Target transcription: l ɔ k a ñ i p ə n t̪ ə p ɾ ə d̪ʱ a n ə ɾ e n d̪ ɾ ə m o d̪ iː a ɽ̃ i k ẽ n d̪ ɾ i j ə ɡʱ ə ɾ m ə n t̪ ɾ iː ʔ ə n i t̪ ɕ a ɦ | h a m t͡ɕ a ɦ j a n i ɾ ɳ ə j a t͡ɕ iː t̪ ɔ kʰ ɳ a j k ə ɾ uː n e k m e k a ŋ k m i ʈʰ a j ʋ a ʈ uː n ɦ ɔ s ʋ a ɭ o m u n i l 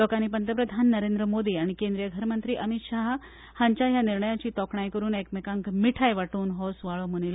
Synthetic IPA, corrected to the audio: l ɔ k a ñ i p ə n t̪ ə p ɾ ə d̪ʱ a nː ə ɾ e n d̪ ɾ ə m o d̪ iː a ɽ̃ i k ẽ n d̪ ɾ i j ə ɡʱ ə ɾ m ə n t̪ ɾ iː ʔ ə m i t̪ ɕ a ɦ | h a ɲ t͡ɕ a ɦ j a n i ɾ ɳ ə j a t͡ɕ iː t̪ ɔ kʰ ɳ a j k ə ɾ uː n e k m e k a ŋ k m i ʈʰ a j ʋ a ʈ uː n ɦ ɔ s ʋ a ɭ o m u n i l